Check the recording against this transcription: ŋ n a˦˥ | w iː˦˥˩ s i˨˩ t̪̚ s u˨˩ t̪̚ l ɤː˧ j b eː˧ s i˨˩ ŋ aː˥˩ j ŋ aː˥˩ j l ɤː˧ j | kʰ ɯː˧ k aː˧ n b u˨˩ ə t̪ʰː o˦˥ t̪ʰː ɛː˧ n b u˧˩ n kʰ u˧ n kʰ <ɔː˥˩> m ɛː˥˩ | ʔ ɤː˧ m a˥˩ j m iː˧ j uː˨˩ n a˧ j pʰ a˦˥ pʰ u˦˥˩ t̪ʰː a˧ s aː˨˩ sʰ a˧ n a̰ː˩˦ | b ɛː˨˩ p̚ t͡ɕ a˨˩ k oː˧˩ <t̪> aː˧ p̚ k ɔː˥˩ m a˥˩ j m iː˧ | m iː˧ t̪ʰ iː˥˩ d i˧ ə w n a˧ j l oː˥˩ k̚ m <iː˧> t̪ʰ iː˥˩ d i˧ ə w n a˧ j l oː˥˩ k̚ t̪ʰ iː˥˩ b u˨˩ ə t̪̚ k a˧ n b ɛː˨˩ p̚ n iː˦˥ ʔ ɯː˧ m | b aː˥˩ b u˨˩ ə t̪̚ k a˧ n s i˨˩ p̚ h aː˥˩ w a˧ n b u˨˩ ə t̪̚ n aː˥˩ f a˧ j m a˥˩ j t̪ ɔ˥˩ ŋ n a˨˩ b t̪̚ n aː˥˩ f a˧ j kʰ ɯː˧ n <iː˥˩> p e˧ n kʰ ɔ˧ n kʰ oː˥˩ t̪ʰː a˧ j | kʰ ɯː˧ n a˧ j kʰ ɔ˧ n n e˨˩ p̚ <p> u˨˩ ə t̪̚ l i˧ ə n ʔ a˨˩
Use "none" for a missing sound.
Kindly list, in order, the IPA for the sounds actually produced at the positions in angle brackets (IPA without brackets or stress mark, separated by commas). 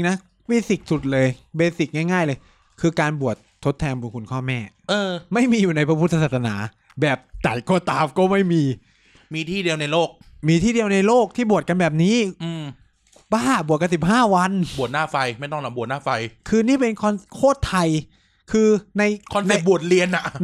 ɔː˥˩, t̪, iː˧, iː˥˩, b